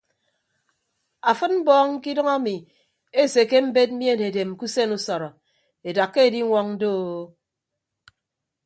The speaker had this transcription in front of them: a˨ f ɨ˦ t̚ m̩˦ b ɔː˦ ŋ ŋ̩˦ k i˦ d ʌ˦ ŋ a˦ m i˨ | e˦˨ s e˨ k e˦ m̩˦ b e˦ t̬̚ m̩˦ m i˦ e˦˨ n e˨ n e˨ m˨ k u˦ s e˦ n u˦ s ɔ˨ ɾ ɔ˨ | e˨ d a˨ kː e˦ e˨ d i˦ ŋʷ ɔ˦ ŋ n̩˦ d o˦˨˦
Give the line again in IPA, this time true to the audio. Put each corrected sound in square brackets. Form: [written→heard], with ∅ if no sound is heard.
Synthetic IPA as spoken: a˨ f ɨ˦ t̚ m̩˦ b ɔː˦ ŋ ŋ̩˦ k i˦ d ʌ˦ ŋ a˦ m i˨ | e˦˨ s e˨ k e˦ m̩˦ b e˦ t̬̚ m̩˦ m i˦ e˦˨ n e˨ [n→d] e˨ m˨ k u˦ s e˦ n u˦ s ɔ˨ ɾ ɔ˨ | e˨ d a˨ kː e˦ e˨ d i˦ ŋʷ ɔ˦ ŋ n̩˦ d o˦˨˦